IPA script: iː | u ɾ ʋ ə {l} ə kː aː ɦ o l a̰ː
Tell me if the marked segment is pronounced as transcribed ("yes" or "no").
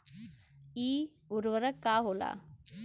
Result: no